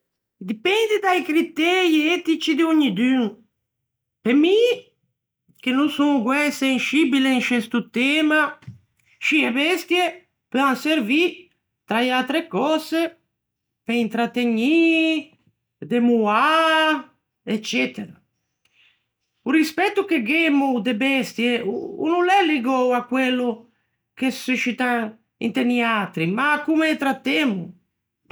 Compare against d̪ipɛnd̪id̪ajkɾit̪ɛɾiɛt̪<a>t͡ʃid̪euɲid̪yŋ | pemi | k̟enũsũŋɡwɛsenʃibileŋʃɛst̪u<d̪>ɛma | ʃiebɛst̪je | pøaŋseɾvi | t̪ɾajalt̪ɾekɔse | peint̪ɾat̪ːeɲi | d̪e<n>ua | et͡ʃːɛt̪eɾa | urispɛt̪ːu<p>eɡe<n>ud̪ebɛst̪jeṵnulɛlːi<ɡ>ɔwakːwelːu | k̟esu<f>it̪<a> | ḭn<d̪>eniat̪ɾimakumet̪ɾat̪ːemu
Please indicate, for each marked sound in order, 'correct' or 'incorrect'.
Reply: incorrect, incorrect, incorrect, incorrect, incorrect, correct, incorrect, correct, incorrect

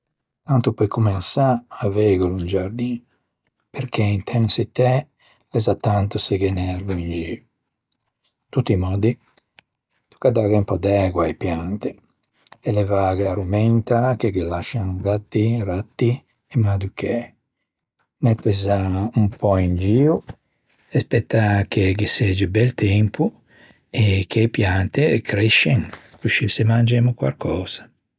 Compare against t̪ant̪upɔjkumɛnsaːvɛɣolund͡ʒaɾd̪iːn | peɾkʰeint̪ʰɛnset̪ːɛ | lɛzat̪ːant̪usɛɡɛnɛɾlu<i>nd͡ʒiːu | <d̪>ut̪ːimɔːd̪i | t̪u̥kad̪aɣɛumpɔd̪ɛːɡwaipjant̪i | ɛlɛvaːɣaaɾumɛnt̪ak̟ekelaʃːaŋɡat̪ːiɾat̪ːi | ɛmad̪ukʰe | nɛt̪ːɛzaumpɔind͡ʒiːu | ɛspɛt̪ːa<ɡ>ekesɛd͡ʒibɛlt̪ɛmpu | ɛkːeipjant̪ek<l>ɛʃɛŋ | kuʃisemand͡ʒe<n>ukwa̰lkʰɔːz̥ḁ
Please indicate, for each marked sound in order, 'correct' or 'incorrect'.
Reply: correct, incorrect, incorrect, incorrect, incorrect

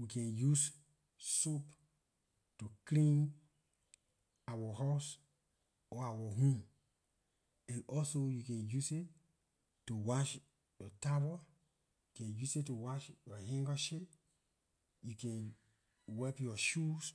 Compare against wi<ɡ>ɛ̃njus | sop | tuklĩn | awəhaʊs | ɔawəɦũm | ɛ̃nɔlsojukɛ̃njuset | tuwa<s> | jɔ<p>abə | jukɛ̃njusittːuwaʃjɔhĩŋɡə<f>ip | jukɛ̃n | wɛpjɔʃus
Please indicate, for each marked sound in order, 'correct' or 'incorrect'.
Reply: incorrect, incorrect, incorrect, incorrect

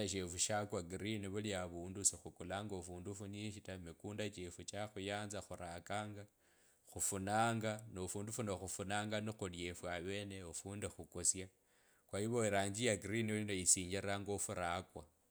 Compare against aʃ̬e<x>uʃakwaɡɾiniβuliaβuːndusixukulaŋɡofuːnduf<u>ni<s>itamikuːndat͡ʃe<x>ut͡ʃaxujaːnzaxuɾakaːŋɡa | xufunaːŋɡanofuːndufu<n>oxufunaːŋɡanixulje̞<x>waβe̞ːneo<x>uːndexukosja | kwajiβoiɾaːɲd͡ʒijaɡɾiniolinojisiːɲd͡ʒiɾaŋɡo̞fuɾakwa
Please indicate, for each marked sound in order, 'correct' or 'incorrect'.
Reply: incorrect, correct, incorrect, incorrect, correct, incorrect, incorrect

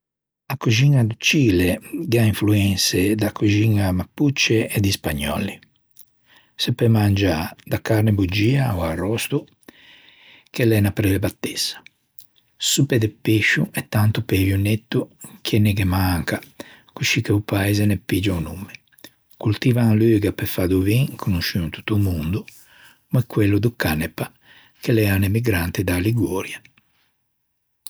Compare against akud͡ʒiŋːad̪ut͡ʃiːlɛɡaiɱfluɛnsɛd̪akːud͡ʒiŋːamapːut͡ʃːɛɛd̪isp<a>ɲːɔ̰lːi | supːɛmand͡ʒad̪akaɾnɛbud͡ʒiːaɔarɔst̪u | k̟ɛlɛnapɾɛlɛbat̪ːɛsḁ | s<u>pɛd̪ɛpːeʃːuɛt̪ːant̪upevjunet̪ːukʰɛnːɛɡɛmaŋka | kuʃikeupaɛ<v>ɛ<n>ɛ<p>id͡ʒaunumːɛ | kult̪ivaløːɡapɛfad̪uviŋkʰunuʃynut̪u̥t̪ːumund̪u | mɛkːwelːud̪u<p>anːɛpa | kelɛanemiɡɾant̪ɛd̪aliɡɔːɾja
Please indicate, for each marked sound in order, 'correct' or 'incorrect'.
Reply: correct, correct, incorrect, correct, correct, incorrect

